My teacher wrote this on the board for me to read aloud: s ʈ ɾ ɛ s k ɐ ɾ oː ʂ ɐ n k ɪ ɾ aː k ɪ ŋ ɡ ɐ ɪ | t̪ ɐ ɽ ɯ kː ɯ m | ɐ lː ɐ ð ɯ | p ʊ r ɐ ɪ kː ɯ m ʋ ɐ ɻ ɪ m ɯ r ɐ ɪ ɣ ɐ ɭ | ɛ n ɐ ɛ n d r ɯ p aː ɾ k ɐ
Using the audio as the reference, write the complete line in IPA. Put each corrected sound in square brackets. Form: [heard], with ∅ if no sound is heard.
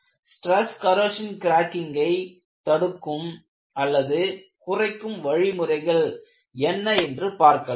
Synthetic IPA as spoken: s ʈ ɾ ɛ s k ɐ ɾ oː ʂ ɐ n k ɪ ɾ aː k ɪ ŋ ɡ ɐ ɪ | t̪ ɐ ɽ ɯ kː ɯ m | ɐ lː ɐ ð ɯ | [k] ʊ r ɐ ɪ kː ɯ m ʋ ɐ ɻ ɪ m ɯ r ɐ ɪ ɣ ɐ ɭ | ɛ [nː] ɐ ɛ n d r ɯ p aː ɾ k ɐ